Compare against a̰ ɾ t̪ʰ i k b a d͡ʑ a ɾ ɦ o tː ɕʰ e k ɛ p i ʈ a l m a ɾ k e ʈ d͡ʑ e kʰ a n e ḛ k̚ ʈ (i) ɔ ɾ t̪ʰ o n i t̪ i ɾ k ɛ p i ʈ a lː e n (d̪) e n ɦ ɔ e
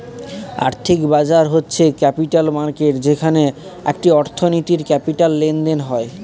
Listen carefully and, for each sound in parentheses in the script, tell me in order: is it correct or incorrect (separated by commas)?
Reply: correct, correct